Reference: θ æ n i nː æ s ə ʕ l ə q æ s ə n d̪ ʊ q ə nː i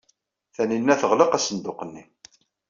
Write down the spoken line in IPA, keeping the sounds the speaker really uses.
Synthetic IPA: θ æ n i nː æ θ ə ʁ l ə q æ s ə n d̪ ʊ q ə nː i